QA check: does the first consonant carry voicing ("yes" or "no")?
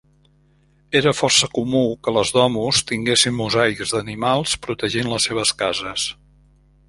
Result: yes